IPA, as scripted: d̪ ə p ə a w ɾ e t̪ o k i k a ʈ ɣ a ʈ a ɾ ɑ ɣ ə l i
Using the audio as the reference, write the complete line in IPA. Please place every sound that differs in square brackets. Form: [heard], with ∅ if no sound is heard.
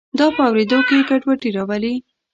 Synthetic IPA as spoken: d̪ [ɑ] p ə a w ɾ e [d̪] o k [e] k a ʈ [w] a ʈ [i] ɾ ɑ [w] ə l i